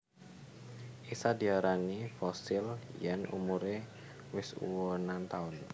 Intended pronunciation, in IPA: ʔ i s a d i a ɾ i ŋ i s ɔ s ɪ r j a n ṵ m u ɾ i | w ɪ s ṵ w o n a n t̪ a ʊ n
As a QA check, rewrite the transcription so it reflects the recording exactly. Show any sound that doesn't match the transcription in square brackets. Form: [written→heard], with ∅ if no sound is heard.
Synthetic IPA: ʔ i s a d i a ɾ [i→a] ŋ i [s→f] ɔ s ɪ [r→l] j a n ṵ m u ɾ [i→e] | w ɪ s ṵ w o n a n t̪ a ʊ n